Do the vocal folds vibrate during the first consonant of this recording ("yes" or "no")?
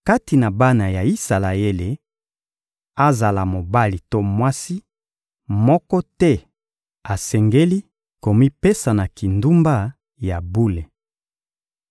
no